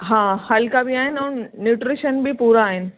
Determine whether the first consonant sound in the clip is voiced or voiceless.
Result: voiced